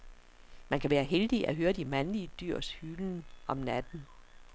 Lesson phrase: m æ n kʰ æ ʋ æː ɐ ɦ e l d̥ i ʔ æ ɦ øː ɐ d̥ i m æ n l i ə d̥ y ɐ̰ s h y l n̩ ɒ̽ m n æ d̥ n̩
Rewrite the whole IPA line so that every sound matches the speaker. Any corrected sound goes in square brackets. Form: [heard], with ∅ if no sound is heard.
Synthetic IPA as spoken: m æ n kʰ æ ʋ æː ɐ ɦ e l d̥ i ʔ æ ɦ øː ɐ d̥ i m æ n l i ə d̥ y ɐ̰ s h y l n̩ ɒ̽ m n æ d̥ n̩